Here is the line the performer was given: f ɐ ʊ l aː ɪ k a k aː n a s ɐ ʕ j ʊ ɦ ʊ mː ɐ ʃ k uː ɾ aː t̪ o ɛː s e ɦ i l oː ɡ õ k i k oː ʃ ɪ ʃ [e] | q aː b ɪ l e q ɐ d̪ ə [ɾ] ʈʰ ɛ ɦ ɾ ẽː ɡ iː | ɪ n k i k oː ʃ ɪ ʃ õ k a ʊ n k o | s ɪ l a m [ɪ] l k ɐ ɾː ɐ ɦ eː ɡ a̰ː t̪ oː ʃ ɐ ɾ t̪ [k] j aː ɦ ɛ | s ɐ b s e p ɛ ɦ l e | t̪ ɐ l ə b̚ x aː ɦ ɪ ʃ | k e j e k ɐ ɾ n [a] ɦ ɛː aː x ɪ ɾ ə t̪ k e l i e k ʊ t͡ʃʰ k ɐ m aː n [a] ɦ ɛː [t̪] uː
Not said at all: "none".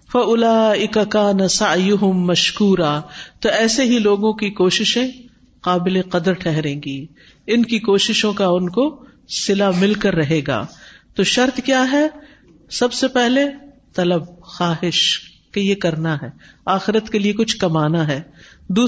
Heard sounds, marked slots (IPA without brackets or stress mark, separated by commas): ẽ, ɾ, ɪ, k, a, a, d̪